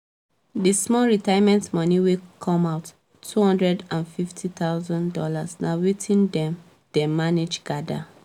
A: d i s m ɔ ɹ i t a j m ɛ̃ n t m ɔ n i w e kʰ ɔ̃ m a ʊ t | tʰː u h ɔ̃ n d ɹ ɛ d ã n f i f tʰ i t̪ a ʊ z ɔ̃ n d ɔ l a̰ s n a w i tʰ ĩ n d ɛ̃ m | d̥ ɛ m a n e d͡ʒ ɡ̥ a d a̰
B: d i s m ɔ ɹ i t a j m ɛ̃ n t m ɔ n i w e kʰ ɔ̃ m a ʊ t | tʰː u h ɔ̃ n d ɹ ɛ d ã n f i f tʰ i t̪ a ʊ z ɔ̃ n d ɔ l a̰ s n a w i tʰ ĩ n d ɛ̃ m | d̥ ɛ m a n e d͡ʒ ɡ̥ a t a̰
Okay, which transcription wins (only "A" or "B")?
A